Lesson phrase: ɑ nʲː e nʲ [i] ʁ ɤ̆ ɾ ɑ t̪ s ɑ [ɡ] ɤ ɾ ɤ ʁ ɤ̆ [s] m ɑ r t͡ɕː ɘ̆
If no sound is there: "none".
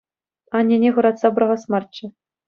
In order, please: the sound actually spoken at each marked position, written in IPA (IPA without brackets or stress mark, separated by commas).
e, b, s